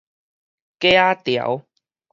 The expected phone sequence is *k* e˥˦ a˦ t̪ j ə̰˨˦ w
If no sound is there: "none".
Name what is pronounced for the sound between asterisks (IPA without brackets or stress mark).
k